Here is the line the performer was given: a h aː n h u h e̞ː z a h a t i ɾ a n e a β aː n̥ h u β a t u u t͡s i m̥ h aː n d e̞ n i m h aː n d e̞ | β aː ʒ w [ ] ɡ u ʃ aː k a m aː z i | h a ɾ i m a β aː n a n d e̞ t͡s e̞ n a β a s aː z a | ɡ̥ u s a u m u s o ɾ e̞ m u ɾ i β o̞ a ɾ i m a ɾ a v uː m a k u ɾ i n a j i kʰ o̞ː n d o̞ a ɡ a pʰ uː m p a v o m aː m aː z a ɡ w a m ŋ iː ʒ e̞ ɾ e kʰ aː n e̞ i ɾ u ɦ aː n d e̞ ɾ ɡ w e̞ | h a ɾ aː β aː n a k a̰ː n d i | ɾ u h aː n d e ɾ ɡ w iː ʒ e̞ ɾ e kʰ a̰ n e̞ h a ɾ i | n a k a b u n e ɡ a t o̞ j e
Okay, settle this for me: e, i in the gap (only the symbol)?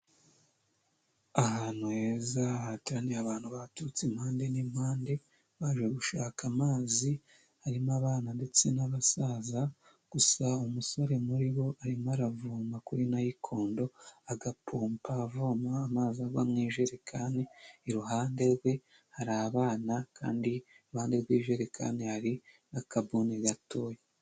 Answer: e